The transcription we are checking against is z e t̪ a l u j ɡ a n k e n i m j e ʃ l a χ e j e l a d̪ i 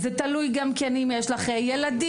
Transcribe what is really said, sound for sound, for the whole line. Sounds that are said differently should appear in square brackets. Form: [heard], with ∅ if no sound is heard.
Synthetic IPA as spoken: z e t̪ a l u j ɡ a [m] k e n i m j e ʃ l a χ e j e l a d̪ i